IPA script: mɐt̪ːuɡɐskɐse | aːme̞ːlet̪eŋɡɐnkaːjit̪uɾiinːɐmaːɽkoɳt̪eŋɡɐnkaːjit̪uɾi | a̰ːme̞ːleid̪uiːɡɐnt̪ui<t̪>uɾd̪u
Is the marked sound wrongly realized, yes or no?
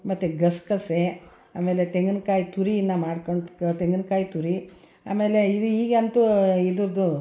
yes